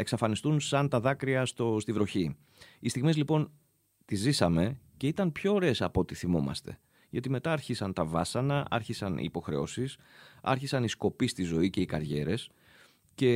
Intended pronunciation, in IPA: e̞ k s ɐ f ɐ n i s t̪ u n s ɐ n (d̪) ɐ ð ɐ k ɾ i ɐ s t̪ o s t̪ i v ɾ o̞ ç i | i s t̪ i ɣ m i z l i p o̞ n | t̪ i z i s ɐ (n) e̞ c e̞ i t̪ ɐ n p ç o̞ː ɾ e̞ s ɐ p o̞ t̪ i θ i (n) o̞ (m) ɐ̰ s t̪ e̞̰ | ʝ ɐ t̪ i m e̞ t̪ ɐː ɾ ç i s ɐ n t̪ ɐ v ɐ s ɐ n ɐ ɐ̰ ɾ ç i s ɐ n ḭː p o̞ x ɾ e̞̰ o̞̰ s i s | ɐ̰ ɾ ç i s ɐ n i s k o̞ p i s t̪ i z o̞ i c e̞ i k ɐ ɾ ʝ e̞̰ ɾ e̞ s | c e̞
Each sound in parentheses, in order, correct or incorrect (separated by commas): incorrect, incorrect, incorrect, correct